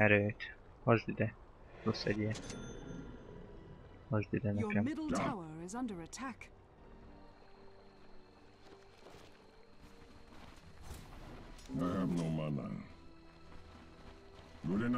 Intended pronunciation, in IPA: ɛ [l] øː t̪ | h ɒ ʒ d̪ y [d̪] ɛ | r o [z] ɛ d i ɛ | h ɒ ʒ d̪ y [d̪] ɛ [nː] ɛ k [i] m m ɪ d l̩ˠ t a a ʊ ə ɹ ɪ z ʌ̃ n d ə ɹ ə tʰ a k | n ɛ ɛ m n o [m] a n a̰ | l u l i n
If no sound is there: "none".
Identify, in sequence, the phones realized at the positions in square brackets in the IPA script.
ɾ, d̪, s, d̪, n, ɛ, m

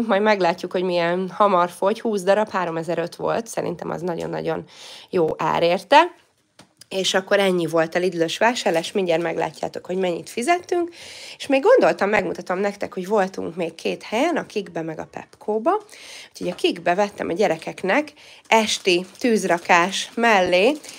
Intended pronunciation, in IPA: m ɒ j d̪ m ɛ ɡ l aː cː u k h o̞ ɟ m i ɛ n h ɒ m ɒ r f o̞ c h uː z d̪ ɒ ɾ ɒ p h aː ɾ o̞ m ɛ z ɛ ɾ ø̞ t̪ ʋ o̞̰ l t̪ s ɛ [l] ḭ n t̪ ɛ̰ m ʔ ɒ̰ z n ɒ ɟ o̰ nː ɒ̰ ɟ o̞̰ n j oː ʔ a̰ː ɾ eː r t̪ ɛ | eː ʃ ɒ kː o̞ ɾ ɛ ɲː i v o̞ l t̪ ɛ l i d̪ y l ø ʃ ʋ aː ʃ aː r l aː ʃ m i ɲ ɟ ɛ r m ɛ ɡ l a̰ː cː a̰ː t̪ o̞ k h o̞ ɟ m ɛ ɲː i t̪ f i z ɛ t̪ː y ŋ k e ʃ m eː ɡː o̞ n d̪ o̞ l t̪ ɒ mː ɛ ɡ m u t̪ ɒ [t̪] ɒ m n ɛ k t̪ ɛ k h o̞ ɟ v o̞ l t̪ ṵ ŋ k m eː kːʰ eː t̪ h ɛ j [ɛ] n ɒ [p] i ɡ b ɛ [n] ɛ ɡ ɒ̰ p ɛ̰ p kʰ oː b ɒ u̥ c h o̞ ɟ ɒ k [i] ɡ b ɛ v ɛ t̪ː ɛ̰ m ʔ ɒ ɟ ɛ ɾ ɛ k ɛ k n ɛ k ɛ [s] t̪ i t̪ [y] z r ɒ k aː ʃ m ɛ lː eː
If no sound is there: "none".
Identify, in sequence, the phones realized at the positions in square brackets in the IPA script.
ɾ, t̪, ɛ, k, m, i, ʃ, yː

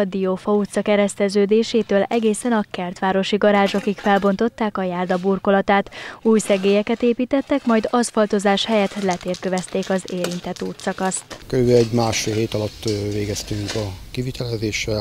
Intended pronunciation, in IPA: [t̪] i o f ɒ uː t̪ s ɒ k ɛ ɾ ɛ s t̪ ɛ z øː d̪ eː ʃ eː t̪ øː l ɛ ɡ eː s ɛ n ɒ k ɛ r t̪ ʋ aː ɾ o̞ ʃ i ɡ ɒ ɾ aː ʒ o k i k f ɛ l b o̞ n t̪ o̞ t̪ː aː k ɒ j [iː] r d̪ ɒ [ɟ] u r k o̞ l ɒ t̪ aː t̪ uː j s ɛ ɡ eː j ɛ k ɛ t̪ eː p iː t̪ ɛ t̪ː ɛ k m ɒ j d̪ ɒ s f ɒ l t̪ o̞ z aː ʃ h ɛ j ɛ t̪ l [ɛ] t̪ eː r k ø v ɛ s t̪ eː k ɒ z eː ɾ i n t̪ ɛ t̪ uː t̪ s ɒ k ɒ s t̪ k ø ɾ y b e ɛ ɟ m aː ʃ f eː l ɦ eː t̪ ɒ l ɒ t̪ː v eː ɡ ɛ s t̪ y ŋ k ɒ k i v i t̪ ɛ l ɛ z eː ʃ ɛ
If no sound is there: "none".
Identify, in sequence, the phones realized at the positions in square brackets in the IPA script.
d̪, aː, b, ɛ

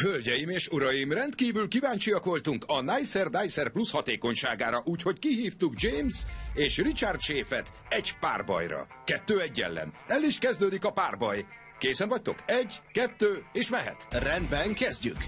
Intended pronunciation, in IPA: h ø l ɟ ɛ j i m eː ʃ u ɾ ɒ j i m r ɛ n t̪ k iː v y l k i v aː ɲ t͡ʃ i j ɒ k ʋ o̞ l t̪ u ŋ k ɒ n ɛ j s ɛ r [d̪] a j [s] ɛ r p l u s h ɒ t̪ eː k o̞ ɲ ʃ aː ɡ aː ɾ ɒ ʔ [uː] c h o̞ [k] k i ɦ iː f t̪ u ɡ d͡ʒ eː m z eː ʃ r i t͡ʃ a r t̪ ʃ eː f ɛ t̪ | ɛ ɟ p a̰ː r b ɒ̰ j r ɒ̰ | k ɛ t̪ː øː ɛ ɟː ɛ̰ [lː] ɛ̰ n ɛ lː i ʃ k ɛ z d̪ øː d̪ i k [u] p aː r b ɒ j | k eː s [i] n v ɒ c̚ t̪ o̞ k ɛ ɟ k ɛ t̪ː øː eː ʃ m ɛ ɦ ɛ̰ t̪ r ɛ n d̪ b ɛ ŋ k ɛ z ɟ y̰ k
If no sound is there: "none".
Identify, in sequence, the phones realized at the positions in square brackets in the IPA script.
d̪, s, uː, c, lː, ɒ, ɛ

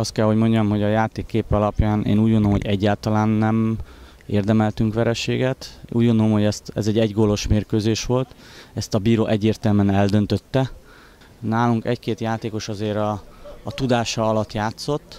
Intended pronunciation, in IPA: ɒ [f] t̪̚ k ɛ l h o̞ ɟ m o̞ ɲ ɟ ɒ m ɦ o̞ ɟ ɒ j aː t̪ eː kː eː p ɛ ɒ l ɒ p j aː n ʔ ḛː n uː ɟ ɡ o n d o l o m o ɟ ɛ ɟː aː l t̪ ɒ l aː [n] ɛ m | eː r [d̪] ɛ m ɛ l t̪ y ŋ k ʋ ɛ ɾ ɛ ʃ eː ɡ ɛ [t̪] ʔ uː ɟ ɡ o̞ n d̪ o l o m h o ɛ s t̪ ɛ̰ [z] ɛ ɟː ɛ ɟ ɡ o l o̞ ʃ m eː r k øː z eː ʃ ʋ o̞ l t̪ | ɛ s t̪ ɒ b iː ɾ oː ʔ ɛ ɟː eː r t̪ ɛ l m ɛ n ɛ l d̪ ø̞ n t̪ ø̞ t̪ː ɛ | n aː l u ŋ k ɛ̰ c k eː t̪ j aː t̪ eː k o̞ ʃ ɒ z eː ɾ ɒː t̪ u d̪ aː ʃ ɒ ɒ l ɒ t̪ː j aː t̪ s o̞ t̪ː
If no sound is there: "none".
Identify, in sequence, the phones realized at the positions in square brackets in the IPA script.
s, nː, d̪, t̪, z

